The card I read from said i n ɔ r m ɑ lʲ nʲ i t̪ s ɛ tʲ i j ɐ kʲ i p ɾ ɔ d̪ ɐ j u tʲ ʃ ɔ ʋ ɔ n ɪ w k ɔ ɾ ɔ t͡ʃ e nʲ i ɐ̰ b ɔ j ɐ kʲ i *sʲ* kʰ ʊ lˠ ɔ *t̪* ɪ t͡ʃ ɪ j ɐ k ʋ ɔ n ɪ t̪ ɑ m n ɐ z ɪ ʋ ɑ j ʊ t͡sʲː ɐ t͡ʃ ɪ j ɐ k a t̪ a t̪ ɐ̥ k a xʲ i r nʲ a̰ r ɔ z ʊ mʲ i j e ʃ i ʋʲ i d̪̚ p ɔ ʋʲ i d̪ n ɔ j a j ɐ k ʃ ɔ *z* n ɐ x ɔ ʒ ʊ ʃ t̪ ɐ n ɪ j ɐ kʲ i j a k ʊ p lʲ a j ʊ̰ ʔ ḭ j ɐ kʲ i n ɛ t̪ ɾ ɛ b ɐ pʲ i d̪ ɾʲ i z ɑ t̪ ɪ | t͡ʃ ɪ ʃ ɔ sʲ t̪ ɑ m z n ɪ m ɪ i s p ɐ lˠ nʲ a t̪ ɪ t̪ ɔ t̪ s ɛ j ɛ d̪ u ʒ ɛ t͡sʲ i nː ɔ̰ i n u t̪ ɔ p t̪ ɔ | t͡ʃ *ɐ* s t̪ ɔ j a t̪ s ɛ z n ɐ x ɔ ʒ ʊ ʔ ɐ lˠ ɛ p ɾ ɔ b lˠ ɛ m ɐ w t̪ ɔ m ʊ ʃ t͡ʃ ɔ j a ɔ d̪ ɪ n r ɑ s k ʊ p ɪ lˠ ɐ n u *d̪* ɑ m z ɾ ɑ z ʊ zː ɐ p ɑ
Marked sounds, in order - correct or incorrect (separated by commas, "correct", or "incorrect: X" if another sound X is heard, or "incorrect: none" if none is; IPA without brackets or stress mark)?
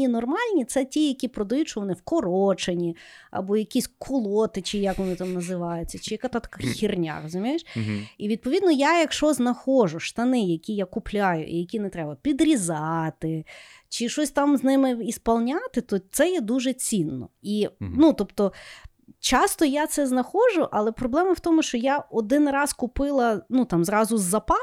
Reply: correct, correct, correct, incorrect: ɑ, incorrect: t̪